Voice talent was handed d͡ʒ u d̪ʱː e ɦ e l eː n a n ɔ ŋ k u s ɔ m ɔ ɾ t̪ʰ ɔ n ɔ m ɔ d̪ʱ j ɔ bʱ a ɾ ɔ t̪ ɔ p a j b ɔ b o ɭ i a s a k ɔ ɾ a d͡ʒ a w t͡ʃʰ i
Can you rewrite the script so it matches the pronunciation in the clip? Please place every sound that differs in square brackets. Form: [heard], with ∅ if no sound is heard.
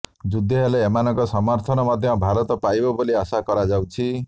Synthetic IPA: d͡ʒ u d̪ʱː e ɦ e l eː [m] a n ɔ ŋ k [ɔ] s ɔ m ɔ ɾ t̪ʰ ɔ n ɔ m ɔ d̪ʱ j ɔ bʱ a ɾ ɔ t̪ ɔ p a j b ɔ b o [l] i a s a k ɔ ɾ a d͡ʒ a w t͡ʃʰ i